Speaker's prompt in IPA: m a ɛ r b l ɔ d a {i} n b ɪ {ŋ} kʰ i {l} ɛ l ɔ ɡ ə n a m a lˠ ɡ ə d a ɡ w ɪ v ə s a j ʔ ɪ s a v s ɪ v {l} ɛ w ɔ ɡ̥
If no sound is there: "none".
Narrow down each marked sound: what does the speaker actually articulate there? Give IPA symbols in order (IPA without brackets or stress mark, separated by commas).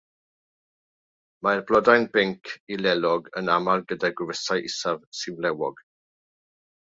j, ŋ, l, l